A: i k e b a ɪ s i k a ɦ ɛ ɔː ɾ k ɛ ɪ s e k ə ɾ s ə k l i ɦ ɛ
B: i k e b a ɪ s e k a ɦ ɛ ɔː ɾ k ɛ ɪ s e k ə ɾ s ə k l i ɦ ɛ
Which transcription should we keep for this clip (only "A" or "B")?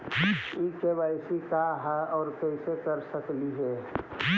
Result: A